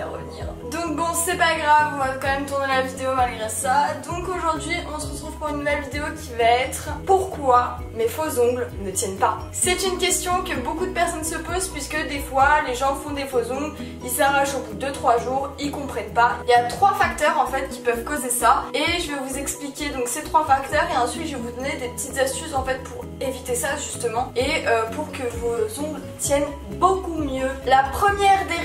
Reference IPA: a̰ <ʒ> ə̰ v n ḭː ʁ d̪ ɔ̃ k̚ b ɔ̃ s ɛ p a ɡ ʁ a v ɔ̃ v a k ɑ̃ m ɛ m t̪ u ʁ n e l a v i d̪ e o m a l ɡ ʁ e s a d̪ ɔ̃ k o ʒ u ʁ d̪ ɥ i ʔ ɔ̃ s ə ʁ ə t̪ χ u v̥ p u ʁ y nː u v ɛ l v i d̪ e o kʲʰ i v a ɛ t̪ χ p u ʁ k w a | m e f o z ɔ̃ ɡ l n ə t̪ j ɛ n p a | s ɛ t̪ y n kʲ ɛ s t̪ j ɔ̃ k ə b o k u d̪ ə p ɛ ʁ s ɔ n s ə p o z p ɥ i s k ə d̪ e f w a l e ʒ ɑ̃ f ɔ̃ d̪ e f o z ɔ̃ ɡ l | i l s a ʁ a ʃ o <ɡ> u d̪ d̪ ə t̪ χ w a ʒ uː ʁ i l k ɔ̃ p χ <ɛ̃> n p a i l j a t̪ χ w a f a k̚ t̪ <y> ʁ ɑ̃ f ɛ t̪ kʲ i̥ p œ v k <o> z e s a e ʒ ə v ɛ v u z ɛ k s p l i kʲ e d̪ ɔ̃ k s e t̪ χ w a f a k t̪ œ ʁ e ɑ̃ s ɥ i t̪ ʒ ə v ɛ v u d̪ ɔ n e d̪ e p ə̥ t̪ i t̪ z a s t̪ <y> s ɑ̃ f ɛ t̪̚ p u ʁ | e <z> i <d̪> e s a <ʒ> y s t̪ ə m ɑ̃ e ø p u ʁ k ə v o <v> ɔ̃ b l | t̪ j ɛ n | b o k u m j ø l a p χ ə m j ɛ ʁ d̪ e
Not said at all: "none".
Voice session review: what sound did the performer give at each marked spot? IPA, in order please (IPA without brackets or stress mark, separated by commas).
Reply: ʁ, b, ɛ, œ, o, y, v, t̪, ʒ, z